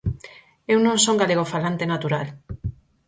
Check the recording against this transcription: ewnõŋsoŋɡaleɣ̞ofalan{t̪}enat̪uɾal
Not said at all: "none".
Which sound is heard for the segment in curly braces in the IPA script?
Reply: t̪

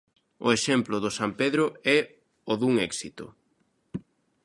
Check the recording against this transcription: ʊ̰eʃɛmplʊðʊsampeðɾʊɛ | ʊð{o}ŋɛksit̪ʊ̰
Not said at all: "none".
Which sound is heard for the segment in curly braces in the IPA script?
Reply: u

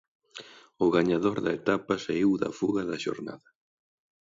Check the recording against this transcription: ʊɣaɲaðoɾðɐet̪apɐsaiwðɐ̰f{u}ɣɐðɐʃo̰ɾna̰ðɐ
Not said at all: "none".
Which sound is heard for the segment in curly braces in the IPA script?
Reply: u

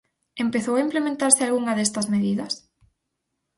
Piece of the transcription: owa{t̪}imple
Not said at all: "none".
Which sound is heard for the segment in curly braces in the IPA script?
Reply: none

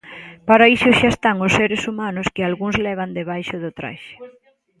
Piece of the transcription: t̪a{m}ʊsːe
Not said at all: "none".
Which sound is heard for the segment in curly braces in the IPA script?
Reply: ŋ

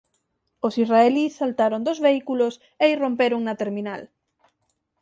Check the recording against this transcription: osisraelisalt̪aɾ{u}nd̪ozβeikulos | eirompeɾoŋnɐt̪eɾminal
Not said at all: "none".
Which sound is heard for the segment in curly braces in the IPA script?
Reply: o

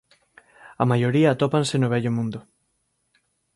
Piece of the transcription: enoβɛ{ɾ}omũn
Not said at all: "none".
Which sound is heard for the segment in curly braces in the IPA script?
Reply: ʎ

